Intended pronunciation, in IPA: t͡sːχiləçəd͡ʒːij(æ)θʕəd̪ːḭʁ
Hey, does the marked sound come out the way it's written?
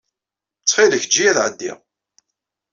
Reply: yes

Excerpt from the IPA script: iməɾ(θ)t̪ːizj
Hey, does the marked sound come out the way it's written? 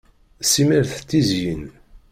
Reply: yes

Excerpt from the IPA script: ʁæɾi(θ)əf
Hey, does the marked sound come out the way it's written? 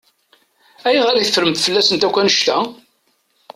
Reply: yes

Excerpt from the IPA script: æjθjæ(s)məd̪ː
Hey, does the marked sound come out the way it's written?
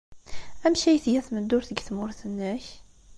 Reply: no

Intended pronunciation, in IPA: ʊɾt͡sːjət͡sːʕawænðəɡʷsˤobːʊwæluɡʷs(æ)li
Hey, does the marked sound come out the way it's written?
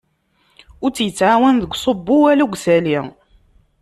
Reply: yes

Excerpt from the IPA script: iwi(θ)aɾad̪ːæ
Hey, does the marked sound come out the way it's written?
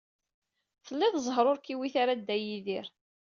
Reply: yes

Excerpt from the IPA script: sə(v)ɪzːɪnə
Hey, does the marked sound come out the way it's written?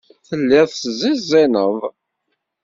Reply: no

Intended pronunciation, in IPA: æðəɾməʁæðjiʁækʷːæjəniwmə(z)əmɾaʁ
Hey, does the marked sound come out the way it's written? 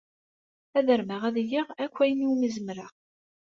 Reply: yes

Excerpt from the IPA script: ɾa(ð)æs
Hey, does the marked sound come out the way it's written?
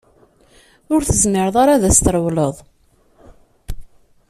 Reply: yes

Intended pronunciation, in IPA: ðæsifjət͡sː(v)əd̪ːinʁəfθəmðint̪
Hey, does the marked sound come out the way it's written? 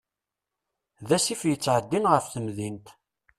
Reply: no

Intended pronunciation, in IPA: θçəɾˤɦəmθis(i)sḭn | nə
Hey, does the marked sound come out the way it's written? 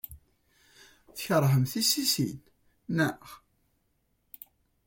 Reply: yes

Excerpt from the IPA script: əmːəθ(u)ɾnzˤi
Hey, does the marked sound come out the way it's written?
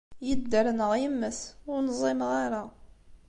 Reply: no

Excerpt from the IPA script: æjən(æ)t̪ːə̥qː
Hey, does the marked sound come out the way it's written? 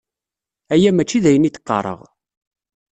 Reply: no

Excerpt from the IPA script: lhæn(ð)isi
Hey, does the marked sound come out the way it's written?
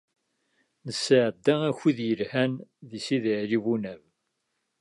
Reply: yes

